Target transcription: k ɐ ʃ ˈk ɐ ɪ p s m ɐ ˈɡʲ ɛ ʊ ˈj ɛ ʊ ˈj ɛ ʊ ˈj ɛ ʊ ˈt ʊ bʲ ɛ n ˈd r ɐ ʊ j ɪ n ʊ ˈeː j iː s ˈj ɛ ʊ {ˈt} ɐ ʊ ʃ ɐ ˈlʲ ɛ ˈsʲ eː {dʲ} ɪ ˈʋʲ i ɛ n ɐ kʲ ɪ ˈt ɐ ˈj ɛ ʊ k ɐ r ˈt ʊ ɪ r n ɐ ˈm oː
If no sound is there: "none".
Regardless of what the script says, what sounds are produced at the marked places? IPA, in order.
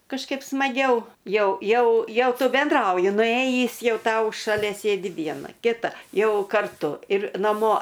t, dʲ

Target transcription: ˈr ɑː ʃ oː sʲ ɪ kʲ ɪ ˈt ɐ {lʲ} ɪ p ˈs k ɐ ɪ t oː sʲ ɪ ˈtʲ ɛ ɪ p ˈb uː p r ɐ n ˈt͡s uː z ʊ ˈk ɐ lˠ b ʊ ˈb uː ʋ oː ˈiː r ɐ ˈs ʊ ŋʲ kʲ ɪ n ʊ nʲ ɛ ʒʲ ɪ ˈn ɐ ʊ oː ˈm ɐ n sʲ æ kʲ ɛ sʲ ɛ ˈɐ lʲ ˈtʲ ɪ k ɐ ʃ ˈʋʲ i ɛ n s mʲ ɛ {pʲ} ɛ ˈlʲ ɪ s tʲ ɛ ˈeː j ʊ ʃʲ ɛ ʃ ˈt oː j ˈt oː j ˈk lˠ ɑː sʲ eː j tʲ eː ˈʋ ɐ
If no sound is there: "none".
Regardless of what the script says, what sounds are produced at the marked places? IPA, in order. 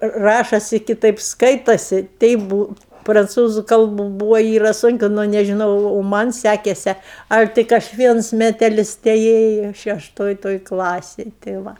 none, tʲ

